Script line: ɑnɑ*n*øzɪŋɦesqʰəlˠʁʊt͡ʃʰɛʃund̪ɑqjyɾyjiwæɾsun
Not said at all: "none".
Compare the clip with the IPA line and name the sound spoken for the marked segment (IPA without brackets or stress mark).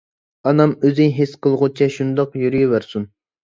m